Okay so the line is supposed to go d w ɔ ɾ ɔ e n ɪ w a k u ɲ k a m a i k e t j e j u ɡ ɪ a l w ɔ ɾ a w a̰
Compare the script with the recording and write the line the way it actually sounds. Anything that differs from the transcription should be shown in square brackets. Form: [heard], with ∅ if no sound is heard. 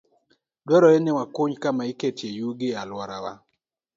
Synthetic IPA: d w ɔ ɾ ɔ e n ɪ w a k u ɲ k a m a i k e t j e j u ɡ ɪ a l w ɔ ɾ a w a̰